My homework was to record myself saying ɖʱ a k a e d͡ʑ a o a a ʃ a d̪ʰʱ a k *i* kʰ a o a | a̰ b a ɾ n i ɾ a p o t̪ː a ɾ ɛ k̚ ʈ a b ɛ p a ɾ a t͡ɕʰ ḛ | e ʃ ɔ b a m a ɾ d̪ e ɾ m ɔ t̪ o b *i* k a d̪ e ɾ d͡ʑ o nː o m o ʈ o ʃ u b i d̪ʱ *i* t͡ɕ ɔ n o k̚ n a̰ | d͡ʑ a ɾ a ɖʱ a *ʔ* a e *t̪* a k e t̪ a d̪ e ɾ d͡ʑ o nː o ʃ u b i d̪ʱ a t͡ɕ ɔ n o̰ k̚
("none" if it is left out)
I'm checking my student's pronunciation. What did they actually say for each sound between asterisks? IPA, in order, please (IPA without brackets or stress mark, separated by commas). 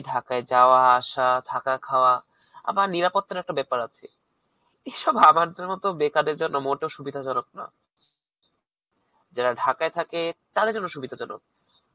a, e, a, k, t̪ʰ